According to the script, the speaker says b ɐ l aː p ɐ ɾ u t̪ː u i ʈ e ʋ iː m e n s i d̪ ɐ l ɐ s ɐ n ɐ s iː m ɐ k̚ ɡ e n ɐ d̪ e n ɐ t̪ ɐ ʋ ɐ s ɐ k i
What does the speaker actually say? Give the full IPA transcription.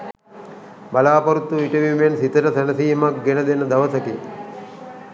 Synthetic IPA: b ɐ l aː p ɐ ɾ u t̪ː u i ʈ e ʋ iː m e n s i t̪ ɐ ɾ ɐ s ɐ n ɐ s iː m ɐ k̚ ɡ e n ɐ d̪ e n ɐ d̪ ɐ ʋ ɐ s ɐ k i